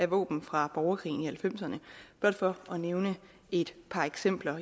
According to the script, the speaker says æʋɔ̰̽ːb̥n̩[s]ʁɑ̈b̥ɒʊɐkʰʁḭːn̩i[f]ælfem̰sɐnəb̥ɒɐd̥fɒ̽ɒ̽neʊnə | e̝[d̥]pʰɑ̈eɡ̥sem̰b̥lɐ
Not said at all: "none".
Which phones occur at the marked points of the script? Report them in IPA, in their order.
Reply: f, h, d̥

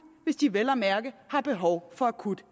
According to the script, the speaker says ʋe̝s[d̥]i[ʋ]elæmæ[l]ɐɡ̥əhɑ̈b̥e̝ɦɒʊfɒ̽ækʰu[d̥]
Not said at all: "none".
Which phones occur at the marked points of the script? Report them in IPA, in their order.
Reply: d̥, ʋ, none, d̥

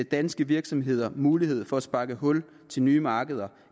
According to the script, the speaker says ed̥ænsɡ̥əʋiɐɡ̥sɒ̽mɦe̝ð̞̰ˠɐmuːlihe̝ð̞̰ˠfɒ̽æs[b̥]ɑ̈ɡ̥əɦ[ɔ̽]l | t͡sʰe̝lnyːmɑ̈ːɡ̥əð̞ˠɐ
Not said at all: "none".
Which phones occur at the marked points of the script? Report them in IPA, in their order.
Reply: b̥, ɔ̽

